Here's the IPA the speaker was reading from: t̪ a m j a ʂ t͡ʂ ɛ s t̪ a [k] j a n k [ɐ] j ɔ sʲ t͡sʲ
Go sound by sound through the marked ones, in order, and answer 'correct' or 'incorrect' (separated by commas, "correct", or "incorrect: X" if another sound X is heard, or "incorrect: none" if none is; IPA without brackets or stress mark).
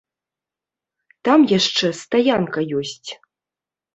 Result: incorrect: none, correct